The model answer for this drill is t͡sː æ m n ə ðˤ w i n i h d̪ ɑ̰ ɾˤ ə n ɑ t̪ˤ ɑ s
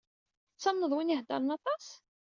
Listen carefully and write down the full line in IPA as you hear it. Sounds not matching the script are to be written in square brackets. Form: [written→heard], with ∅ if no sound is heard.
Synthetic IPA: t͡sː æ m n ə ðˤ w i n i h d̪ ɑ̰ ɾˤ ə n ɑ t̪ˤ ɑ s